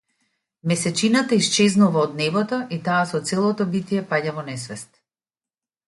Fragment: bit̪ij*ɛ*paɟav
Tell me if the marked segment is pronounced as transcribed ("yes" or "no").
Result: yes